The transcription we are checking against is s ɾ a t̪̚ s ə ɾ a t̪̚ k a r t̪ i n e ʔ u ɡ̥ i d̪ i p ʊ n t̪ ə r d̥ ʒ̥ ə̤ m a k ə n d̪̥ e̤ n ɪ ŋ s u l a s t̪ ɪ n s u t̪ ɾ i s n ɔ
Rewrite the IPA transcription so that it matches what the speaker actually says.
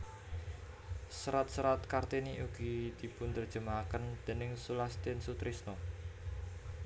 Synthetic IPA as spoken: s ɾ a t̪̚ s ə ɾ a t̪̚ k a r t̪ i n i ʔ u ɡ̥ i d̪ i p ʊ n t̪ ə r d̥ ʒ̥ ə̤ m a k ə n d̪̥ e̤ n ɪ ŋ s u l a s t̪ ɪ n s u t̪ ɾ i s n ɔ